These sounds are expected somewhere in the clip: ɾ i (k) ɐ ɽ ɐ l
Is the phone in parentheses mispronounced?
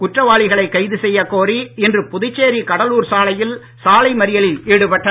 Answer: no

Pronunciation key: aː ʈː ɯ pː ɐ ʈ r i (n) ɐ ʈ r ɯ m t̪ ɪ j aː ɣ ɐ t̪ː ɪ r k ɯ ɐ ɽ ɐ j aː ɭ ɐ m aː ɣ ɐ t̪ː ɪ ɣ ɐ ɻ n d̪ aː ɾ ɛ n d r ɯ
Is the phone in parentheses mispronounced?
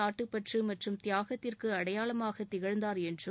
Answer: yes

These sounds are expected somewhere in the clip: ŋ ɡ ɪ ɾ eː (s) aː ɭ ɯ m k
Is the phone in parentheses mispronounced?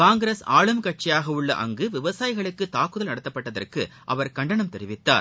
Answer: no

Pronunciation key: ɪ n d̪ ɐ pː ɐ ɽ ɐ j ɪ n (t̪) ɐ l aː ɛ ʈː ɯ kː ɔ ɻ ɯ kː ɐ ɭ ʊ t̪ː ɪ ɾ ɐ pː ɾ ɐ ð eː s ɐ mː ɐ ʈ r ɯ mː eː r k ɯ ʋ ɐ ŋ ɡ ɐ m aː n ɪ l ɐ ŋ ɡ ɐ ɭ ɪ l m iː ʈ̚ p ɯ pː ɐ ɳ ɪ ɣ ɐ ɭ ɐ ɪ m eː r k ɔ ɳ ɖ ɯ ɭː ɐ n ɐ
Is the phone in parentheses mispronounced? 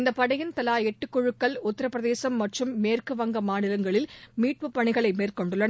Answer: no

